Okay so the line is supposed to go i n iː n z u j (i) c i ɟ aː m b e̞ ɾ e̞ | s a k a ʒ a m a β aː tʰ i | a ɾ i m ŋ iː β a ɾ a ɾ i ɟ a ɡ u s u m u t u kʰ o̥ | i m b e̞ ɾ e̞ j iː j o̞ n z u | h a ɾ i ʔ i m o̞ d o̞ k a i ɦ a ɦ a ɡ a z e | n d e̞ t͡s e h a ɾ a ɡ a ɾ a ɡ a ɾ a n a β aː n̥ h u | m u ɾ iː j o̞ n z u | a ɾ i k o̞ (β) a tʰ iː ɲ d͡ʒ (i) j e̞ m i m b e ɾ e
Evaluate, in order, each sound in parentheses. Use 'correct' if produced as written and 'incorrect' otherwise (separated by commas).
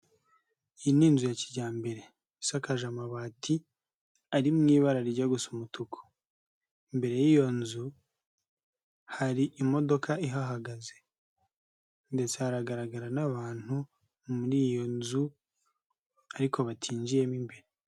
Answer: incorrect, correct, correct